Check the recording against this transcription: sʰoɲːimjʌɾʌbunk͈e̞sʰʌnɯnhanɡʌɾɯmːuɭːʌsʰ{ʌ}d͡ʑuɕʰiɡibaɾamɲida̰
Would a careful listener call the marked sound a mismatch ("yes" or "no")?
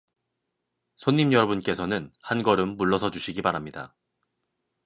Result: no